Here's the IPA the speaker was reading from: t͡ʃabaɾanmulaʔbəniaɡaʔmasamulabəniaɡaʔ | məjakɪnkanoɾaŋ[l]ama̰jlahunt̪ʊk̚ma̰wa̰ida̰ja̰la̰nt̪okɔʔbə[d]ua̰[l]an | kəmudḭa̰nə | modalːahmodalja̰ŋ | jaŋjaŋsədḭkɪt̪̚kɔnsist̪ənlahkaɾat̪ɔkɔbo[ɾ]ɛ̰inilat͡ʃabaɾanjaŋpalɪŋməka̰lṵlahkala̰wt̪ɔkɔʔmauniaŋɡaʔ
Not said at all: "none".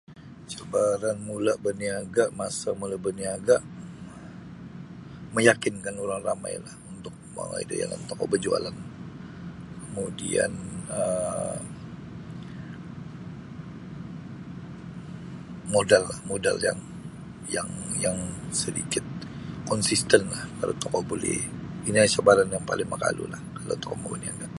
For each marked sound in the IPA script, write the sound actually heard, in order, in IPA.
r, d͡ʒ, l, l

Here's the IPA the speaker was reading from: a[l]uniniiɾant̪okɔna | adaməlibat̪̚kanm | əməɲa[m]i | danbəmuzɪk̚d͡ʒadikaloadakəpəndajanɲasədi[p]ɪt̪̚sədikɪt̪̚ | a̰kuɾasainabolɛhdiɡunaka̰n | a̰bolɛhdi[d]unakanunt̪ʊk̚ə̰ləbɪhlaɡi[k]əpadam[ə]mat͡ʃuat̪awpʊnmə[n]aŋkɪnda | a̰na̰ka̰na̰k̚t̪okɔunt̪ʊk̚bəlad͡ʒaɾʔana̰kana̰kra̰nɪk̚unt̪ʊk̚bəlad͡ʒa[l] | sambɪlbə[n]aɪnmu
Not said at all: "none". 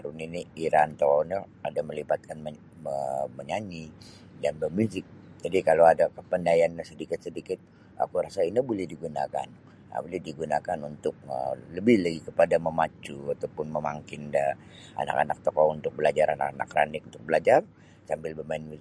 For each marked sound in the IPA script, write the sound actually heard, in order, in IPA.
ɾ, ɲ, k, ɡ, k, ə, m, r, m

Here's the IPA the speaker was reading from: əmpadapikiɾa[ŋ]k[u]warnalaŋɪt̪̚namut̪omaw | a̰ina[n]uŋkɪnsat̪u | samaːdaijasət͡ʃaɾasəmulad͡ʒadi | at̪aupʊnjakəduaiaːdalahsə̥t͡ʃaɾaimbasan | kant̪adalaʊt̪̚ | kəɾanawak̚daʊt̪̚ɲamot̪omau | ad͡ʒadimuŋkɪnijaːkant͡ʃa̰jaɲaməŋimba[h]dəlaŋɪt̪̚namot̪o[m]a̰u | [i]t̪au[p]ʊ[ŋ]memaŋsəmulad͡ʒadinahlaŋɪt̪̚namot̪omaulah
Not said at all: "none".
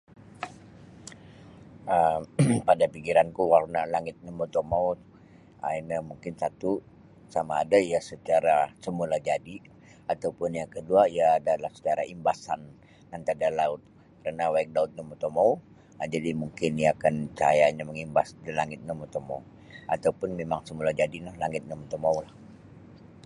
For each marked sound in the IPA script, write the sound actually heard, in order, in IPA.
n, u, m, s, m, a, p, n

